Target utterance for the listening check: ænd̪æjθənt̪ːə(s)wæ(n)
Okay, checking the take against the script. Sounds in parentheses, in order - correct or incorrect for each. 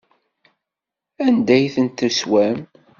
correct, incorrect

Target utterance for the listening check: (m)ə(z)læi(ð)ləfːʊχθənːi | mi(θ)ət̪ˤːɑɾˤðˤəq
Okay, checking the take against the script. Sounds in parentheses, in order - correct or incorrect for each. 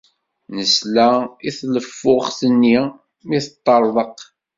incorrect, incorrect, incorrect, correct

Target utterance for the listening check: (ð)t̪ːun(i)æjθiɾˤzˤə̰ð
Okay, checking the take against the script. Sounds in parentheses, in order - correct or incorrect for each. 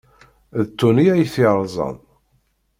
correct, correct

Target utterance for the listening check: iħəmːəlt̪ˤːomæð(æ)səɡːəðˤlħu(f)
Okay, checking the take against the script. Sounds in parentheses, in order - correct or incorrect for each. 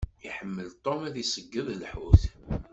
incorrect, incorrect

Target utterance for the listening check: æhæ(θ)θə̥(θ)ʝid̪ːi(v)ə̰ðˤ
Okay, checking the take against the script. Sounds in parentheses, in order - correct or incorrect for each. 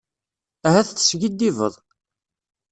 correct, incorrect, correct

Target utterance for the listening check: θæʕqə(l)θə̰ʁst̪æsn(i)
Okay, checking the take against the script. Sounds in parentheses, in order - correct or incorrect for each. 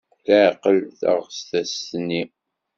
correct, correct

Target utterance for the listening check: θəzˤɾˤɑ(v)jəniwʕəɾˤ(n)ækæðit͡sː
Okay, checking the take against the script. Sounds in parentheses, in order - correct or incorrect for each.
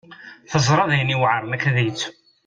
incorrect, correct

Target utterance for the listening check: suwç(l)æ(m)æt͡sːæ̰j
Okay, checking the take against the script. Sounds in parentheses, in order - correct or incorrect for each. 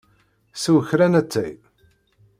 incorrect, incorrect

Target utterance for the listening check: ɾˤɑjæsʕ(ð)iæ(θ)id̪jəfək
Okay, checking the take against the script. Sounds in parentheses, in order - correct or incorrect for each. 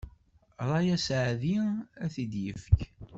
correct, correct

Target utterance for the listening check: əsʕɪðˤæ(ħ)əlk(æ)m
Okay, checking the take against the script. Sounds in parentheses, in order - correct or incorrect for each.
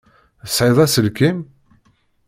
incorrect, incorrect

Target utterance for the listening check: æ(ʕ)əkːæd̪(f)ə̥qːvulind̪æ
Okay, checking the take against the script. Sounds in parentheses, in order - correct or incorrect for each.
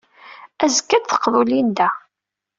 incorrect, incorrect

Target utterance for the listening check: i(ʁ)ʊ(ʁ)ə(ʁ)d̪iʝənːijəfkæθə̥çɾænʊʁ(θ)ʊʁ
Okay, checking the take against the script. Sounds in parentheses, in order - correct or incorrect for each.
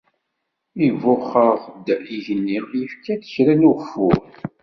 incorrect, incorrect, correct, incorrect

